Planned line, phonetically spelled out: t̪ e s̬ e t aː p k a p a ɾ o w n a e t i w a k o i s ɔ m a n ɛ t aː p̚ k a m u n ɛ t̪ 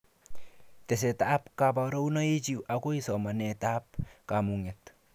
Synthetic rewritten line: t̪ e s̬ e t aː p k a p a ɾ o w n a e t͡ʃ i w a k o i s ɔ m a n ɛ t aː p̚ k a m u ŋ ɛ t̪